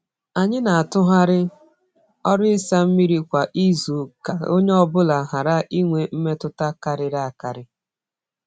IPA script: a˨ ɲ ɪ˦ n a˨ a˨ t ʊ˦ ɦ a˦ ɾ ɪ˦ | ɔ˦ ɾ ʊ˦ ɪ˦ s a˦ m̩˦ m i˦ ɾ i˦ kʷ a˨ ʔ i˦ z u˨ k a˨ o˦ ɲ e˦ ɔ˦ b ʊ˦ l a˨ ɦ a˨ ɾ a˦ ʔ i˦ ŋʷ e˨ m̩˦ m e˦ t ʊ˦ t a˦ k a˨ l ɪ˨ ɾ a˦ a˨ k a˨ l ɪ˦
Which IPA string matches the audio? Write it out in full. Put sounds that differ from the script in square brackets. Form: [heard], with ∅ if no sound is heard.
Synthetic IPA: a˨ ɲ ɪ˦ n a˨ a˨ t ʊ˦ ɦ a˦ ɾ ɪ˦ | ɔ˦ ɾ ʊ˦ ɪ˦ s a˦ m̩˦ m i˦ ɾ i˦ kʷ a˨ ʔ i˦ z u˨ k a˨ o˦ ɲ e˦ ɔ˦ b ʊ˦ l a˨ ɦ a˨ ɾ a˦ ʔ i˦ ŋʷ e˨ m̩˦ m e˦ t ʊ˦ t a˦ k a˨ [ɾ] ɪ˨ ɾ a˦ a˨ k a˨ [ɾ] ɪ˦

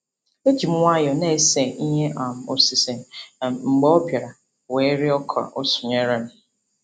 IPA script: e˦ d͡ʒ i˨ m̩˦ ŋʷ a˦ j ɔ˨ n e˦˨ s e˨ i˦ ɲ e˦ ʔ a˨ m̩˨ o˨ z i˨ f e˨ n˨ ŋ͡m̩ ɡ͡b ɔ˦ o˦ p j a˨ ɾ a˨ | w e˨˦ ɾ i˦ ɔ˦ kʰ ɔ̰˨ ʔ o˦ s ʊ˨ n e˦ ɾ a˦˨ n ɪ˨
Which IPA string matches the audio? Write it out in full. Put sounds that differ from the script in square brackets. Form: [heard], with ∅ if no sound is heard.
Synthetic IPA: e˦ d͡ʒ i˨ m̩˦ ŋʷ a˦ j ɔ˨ n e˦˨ s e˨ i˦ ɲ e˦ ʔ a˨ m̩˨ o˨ [s] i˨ [s] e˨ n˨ ŋ͡m̩ ɡ͡b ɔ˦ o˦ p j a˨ ɾ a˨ | w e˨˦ ɾ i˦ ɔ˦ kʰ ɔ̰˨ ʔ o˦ s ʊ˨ [ɲ] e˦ ɾ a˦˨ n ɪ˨

